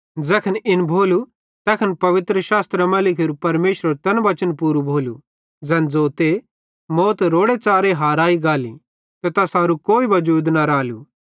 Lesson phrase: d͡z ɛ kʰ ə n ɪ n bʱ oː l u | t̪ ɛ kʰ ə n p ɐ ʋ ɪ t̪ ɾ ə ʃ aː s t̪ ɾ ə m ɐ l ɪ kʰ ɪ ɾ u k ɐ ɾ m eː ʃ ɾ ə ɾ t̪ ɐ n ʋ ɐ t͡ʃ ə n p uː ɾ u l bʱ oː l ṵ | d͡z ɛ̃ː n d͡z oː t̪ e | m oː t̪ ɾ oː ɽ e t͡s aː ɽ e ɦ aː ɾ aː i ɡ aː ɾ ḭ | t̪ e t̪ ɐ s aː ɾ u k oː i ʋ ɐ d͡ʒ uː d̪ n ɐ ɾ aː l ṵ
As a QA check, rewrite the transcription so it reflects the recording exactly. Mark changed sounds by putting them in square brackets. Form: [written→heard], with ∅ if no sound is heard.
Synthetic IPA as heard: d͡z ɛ kʰ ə n ɪ n bʱ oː l u | t̪ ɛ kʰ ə n p ɐ ʋ ɪ t̪ ɾ ə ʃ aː s t̪ ɾ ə m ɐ l ɪ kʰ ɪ ɾ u [k→p] ɐ ɾ m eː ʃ ɾ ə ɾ t̪ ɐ n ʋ ɐ t͡ʃ ə n p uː ɾ u [l→∅] bʱ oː l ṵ | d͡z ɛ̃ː n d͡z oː t̪ e | m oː t̪ ɾ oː ɽ e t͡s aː [ɽ→ɾ] e ɦ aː ɾ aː i ɡ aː [ɾ→l] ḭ | t̪ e t̪ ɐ s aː ɾ u k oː i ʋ ɐ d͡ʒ uː d̪ n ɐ ɾ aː l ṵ